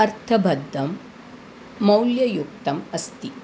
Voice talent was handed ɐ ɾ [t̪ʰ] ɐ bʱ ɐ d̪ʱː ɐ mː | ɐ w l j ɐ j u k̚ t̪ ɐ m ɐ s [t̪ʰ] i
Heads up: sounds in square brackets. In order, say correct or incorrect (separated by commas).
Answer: correct, incorrect